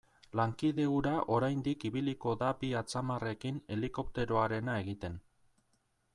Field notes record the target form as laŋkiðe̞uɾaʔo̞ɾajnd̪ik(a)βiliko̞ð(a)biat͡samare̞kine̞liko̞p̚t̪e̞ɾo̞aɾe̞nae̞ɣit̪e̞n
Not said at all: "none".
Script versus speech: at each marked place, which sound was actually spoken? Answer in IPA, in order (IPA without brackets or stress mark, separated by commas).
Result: i, a